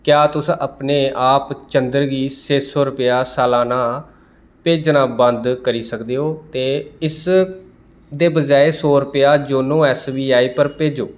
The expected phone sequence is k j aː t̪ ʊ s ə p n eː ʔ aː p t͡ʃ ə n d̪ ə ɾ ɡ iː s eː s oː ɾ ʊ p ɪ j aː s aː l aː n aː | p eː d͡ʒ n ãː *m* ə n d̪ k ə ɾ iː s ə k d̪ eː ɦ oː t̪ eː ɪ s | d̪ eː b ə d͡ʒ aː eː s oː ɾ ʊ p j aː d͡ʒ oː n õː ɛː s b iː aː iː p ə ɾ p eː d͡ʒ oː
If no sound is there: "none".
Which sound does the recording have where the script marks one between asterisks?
b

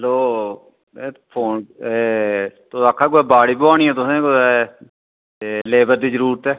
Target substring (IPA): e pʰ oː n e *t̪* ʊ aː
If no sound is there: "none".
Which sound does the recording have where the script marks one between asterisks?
t̪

